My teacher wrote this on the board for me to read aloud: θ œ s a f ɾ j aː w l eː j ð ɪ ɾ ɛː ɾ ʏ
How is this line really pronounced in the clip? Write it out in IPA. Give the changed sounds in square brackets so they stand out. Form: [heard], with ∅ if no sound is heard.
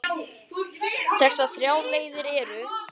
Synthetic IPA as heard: θ [ɛ] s a [θ] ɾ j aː w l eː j ð ɪ ɾ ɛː ɾ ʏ

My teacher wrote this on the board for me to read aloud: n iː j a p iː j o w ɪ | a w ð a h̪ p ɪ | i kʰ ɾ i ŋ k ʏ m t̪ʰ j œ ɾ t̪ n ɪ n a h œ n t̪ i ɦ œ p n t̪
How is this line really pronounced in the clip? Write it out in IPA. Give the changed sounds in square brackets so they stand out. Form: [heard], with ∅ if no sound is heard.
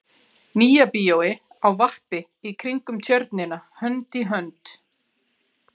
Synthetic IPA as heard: n iː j a p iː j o w ɪ | a w [v] a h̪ p ɪ | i kʰ ɾ i ŋ k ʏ m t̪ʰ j œ ɾ t̪ n ɪ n a h œ n t̪ i ɦ œ [∅] n t̪

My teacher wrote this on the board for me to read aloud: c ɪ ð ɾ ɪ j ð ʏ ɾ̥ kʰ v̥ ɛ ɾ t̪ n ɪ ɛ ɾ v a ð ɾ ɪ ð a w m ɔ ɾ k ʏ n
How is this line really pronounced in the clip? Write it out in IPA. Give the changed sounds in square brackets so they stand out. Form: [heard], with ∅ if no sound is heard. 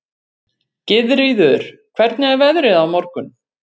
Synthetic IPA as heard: c ɪ ð ɾ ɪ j ð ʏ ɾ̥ kʰ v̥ ɛ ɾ t̪ n ɪ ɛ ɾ v [ɛ] ð ɾ ɪ ð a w m ɔ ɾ k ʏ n

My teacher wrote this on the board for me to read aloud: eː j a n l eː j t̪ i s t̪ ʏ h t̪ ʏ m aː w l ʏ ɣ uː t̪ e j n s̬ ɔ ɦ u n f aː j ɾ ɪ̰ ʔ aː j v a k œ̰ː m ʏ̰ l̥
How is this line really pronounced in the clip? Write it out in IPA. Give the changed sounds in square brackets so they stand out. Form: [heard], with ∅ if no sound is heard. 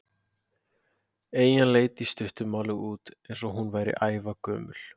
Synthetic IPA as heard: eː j a n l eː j t̪ i s t̪ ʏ h t̪ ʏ m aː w l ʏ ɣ uː t̪ e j n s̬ ɔ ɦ u n [v] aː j ɾ ɪ̰ ʔ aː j v a k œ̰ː m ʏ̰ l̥

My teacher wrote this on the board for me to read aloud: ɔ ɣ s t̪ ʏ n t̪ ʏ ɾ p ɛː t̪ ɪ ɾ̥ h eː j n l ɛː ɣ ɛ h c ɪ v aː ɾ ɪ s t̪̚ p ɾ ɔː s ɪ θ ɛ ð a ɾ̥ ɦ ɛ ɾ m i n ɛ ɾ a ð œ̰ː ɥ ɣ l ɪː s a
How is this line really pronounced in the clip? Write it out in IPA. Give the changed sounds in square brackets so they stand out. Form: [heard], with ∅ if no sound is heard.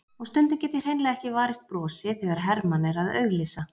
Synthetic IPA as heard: ɔ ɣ s t̪ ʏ n t̪ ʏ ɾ [c] ɛː t̪ ɪ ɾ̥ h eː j n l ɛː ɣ ɛ h c ɪ v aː ɾ ɪ s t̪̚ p ɾ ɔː s ɪ θ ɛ [ɣ] a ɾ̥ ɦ ɛ ɾ m [a] n ɛ ɾ a ð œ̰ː ɥ ɣ l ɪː s a

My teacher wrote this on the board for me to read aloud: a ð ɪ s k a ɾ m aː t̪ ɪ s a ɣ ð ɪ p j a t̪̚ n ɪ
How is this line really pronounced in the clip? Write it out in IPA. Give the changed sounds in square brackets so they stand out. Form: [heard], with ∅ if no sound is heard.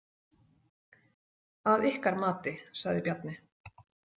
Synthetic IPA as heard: a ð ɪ [h] k a ɾ m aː t̪ ɪ s a ɣ ð ɪ p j a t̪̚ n ɪ

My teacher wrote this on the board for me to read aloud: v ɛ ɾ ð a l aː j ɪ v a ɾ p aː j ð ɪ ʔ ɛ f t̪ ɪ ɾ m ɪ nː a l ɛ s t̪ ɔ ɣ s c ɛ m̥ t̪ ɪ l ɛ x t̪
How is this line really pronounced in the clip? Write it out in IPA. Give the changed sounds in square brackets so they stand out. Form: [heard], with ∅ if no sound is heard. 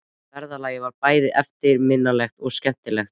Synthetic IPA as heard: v ɛ ɾ ð a l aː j ɪ v a ɾ p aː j ð ɪ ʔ ɛ f t̪ ɪ ɾ m ɪ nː a l ɛ [x] t̪ ɔ ɣ s c ɛ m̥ t̪ ɪ l ɛ x t̪

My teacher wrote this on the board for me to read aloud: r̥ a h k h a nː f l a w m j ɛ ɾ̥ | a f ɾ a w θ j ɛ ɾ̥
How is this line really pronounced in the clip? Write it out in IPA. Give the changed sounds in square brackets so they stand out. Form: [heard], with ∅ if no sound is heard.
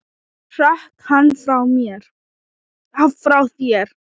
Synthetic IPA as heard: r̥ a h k h a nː f [ɾ] a w m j ɛ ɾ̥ | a f ɾ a w θ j ɛ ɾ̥

